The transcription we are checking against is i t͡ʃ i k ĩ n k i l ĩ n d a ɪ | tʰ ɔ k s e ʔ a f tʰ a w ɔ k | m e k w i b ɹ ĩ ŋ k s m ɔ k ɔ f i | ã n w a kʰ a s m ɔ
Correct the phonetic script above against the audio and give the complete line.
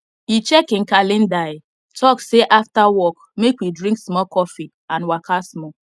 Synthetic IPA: i t͡ʃ ɛ k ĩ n k a l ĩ n d a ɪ | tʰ ɔ k s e ʔ a f t a w ɔ k | m e k w i d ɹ ĩ ŋ k s m ɔ k ɔ f i | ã n w a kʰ a s m ɔ